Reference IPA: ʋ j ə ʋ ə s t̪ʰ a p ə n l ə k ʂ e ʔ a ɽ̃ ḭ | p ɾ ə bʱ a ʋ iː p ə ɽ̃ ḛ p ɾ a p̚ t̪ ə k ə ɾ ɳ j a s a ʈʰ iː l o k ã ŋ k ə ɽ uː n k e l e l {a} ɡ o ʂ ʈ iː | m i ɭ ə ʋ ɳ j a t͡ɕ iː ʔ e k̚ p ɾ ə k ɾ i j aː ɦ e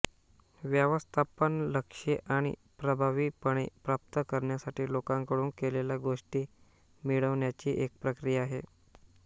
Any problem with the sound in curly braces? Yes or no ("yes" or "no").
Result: no